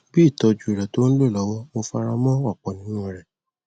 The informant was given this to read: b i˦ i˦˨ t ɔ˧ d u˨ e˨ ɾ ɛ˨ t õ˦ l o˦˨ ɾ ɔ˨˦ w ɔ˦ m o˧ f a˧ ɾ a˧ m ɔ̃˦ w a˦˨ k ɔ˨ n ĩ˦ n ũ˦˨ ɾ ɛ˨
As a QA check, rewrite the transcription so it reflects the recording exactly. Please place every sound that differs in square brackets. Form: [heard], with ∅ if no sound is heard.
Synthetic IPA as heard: b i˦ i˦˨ t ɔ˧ [d͡ʒ] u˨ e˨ ɾ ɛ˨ t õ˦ l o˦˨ [l] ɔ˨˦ w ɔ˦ m o˧ f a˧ ɾ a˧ m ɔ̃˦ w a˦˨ [k͡p] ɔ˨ n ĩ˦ n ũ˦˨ ɾ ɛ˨